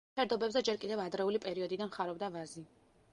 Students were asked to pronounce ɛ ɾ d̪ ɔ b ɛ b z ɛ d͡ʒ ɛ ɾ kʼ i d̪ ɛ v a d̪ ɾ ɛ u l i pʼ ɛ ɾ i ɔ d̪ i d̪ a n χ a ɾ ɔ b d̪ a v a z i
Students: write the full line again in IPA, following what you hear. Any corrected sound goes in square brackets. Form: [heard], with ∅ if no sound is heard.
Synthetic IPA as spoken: ɛ ɾ d̪ ɔ b ɛ b z ɛ d͡ʒ ɛ ɾ kʼ i d̪ ɛ v a d̪ ɾ ɛ u l i pʼ ɛ ɾ i ɔ d̪ i d̪ a n χ a ɾ ɔ b d̪ a v a z i